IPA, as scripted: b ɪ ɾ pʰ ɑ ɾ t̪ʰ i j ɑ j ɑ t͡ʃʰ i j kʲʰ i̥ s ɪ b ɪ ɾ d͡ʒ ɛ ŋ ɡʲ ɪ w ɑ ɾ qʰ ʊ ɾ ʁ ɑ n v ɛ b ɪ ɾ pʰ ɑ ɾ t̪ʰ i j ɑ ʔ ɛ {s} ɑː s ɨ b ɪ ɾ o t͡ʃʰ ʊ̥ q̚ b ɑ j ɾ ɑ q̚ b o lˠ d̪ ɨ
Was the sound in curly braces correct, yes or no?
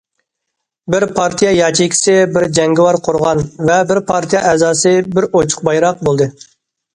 no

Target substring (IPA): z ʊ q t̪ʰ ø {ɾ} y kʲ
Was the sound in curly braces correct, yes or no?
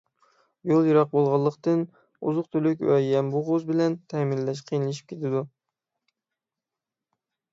no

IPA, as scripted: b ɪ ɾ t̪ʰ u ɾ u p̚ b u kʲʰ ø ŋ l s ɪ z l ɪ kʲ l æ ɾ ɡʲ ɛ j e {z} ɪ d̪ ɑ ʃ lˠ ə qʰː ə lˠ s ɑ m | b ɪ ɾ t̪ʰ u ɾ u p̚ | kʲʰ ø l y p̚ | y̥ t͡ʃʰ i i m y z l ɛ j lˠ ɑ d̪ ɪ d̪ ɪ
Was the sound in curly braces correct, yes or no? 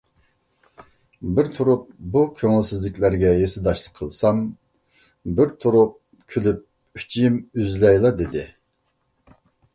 no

